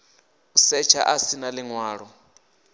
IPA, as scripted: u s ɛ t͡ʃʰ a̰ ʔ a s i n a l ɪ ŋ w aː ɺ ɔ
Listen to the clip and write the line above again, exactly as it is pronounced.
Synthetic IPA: u s ɛ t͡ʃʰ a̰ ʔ a s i n a l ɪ ŋ w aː ɺ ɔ

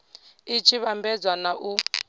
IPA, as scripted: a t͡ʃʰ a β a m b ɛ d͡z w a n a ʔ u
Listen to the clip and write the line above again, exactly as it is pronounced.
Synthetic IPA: i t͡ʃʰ i β a m b ɛ d͡z w a n a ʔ u

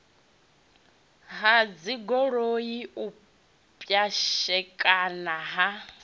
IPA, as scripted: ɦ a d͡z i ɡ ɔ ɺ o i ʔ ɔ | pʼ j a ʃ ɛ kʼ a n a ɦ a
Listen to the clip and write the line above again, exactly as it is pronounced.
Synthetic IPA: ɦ a d͡z i ɡ ɔ ɺ o i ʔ u | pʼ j a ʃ ɛ kʼ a n a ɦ a

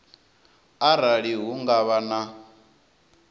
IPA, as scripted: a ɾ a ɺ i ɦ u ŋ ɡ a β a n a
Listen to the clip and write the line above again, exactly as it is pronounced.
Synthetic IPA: a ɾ a ɺ i ɦ u ŋ ɡ a β a n a

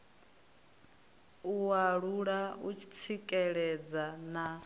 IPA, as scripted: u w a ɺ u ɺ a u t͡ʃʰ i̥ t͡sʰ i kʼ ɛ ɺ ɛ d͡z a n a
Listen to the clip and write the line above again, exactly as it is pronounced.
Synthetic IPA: u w a ɺ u ɺ a u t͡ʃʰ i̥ t͡sʰ i kʼ ɛ ɺ ɛ d͡z a n a

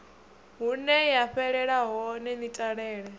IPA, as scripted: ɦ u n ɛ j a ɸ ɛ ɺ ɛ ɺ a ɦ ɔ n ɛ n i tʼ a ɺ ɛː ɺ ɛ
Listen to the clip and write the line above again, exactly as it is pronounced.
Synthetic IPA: ɦ u n ɛ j a ɸ ɛ ɺ ɛ ɺ a ɦ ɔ n ɛ n i tʼ a ɺ ɛː ɺ ɛ

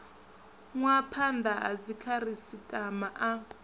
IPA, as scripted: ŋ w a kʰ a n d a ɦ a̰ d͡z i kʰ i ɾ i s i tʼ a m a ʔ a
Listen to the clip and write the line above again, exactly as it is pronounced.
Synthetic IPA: ŋ w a pʰ a n d a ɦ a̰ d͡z i kʰ a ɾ i s i tʼ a m a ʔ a

